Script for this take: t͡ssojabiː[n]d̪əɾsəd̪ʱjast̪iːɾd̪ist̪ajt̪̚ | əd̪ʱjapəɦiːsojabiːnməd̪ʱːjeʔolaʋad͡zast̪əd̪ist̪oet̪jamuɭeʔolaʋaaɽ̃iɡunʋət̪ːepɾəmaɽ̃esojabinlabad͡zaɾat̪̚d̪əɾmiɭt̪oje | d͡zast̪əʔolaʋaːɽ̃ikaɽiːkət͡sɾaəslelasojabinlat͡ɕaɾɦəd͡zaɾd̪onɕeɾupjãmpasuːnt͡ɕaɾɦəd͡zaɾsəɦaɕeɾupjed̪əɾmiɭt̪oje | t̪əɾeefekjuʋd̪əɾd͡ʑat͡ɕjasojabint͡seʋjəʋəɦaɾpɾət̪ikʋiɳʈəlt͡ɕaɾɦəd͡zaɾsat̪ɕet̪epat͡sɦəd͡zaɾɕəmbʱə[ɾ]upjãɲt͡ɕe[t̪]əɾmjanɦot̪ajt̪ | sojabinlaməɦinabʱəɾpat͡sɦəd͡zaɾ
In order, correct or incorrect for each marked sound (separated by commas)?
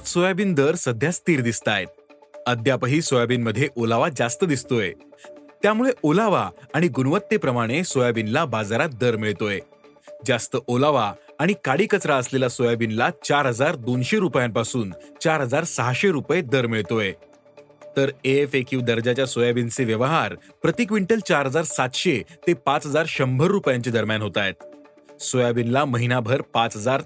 correct, incorrect, incorrect